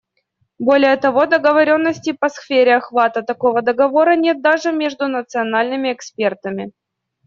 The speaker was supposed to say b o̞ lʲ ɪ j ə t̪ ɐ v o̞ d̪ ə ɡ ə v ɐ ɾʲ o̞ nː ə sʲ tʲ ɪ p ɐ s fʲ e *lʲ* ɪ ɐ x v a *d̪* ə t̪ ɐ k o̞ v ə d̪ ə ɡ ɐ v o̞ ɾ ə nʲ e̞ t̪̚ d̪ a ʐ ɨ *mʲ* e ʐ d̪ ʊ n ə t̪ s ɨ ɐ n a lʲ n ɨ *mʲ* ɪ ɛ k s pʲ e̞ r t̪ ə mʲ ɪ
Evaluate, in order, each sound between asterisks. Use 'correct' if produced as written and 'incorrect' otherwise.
incorrect: ɾʲ, incorrect: t̪, correct, correct

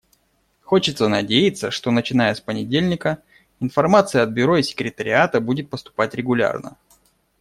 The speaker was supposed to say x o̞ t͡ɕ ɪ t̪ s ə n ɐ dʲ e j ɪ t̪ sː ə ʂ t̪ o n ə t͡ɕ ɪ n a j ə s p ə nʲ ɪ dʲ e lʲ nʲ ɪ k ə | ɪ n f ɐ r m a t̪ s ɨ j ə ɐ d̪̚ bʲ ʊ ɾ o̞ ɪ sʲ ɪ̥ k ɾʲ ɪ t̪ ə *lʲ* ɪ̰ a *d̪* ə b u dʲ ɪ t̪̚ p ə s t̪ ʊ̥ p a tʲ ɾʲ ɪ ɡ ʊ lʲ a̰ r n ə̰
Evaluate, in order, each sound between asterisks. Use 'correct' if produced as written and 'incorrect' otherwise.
incorrect: ɾʲ, incorrect: t̪

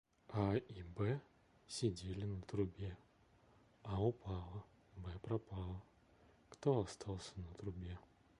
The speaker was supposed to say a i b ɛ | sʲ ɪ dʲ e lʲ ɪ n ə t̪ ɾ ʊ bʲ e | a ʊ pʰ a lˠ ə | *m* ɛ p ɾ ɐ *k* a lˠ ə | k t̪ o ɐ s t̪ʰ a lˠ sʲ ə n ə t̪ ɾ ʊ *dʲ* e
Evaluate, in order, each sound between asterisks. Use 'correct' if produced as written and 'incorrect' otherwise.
incorrect: b, incorrect: p, incorrect: bʲ

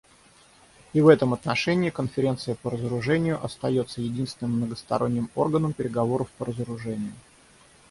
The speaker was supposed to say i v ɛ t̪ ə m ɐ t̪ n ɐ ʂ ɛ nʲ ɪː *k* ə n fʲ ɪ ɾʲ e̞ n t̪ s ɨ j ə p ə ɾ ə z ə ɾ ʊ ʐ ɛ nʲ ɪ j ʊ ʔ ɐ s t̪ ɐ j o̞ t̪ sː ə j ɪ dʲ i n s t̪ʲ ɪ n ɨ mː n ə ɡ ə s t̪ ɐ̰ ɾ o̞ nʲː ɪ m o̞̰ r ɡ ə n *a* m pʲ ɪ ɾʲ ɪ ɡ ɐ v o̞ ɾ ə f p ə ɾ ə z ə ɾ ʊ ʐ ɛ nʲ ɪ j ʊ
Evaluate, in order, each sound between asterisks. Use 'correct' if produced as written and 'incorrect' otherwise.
correct, incorrect: ə

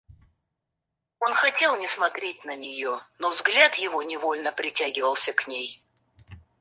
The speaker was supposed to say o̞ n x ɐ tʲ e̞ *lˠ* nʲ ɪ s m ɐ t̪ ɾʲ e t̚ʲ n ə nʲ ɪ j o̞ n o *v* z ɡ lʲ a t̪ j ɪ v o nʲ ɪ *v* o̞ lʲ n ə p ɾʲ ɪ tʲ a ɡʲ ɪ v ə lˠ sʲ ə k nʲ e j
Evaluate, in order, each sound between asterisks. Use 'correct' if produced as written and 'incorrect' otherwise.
correct, correct, correct

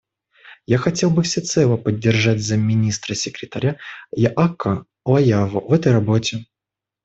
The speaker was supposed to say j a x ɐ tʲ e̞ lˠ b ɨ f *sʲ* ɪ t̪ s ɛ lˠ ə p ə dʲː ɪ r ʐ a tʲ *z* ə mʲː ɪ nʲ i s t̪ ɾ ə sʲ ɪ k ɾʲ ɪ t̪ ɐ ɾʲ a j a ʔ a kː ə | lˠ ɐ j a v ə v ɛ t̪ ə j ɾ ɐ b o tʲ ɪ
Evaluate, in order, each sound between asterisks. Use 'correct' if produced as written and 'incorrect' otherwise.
correct, correct

